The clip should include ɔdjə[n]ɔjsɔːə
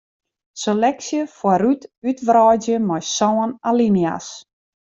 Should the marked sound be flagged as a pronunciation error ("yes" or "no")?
yes